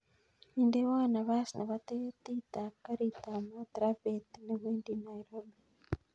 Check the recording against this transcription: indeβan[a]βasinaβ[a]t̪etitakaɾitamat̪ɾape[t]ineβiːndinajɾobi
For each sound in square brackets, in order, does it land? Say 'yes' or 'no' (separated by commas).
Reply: yes, yes, yes